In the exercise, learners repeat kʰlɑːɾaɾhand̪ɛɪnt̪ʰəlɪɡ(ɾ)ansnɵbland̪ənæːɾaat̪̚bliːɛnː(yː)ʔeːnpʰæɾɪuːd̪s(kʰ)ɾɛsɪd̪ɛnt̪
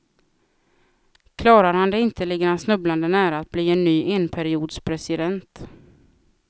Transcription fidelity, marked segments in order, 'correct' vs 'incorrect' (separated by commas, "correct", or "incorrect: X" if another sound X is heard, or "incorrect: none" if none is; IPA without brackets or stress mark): correct, correct, incorrect: pʰ